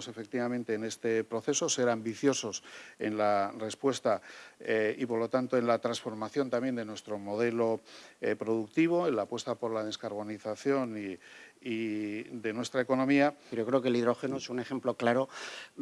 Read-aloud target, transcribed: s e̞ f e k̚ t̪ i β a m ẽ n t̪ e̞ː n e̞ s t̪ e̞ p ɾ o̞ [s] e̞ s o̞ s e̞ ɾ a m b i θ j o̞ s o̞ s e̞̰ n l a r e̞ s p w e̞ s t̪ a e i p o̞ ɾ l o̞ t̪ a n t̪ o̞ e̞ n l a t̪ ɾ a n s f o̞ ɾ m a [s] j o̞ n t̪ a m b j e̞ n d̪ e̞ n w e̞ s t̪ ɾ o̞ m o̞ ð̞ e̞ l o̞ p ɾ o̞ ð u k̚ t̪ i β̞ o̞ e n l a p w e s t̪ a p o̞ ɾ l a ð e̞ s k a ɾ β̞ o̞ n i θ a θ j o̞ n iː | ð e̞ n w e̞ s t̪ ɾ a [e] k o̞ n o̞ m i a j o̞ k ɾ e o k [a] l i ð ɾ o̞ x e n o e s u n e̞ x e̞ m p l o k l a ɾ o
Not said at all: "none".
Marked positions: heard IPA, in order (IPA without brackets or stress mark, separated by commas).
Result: θ, θ, e, e